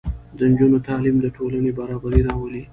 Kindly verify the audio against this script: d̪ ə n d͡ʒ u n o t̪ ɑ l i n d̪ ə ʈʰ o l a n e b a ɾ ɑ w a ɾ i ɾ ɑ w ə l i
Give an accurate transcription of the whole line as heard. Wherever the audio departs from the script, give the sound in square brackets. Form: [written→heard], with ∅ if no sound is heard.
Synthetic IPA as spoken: d̪ ə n d͡ʒ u n o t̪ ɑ l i [n→m] d̪ ə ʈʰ o l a n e b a ɾ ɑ [w→b] a ɾ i ɾ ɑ w ə l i